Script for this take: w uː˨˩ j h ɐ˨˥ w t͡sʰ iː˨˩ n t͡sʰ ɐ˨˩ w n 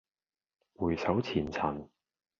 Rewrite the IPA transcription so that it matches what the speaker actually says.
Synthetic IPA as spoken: w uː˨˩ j s ɐ˨˥ w t͡sʰ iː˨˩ n t͡sʰ ɐ˨˩ n